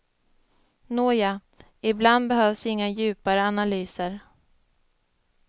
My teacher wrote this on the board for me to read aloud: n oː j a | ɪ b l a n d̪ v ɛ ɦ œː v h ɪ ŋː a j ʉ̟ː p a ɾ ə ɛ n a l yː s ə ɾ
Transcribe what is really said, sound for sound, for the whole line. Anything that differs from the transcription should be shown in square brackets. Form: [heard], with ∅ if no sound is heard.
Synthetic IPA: n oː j a | ɪ b l a n d̪ [b] ɛ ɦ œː v [s] ɪ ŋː a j ʉ̟ː p a ɾ ə [a] n a l yː s ə ɾ